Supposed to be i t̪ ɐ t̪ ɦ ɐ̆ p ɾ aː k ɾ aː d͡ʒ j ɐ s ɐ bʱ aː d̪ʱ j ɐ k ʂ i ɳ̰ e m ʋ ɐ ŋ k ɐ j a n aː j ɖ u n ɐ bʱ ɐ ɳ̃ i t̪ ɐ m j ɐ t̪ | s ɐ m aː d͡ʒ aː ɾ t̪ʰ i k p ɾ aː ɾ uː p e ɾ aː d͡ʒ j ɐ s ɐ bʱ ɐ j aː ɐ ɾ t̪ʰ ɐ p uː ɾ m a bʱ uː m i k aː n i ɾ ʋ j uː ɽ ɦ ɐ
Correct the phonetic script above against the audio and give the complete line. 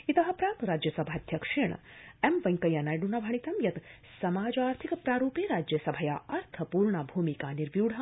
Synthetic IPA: i t̪ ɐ ɦ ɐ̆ p ɾ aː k ɾ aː d͡ʒ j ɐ s ɐ bʱ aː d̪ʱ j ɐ k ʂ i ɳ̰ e m ʋ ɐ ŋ k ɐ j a n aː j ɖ u n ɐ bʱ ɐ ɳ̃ i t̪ ɐ m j ɐ t̪ | s ɐ m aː d͡ʒ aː ɾ t̪ʰ i k p ɾ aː ɾ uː p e ɾ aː d͡ʒ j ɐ s ɐ bʱ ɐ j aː ɐ ɾ t̪ʰ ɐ p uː ɾ ɳ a bʱ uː m i k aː n i ɾ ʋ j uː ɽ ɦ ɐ

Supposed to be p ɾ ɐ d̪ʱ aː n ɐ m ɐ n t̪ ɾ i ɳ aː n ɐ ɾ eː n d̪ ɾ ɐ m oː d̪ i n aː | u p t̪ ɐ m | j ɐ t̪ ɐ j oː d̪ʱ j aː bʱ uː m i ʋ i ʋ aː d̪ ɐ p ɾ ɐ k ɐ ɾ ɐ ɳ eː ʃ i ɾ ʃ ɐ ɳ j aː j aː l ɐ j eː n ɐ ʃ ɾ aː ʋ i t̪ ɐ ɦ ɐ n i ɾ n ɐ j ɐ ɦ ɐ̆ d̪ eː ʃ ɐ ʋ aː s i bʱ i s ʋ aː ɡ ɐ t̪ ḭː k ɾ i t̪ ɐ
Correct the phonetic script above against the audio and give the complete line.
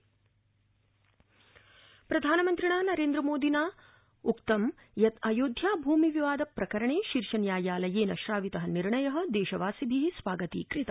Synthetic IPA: p ɾ ɐ d̪ʱ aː n ɐ m ɐ n t̪ ɾ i ɳ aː n ɐ ɾ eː n d̪ ɾ ɐ m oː d̪ i n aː | u k t̪ ɐ m | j ɐ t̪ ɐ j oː d̪ʱ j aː bʱ uː m i ʋ i ʋ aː d̪ ɐ p ɾ ɐ k ɐ ɾ ɐ ɳ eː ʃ i ɾ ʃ ɐ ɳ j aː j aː l ɐ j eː n ɐ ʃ ɾ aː ʋ i t̪ ɐ ɦ ɐ n i ɾ ɳ ɐ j ɐ ɦ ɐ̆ d̪ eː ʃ ɐ ʋ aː s i bʱ i s ʋ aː ɡ ɐ t̪ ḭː k ɾ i t̪ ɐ

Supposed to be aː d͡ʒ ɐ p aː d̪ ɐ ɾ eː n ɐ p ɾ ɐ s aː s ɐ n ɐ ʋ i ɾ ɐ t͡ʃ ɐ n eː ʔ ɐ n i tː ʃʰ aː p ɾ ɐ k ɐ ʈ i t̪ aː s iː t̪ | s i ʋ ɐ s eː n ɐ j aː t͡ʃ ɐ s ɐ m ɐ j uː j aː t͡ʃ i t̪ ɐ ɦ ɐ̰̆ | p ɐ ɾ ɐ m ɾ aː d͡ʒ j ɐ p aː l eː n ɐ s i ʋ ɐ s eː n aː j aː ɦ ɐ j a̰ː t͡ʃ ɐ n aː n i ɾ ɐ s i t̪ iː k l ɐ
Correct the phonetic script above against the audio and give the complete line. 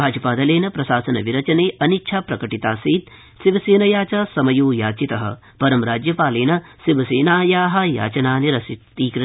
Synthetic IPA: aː d͡ʒ ɐ p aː d̪ ɐ l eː n ɐ p ɾ ɐ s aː s ɐ n ɐ ʋ i ɾ ɐ t͡ʃ ɐ n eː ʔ ɐ n i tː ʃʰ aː p ɾ ɐ k ɐ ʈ i t̪ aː s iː t̪ | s i ʋ ɐ s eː n ɐ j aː t͡ʃ ɐ s ɐ m ɐ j uː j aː t͡ʃ i t̪ ɐ ɦ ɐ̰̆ | p ɐ ɾ ɐ m ɾ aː d͡ʒ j ɐ p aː l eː n ɐ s i ʋ ɐ s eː n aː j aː ɦ ɐ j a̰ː t͡ʃ ɐ n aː n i ɾ ɐ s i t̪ iː k ɾ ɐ

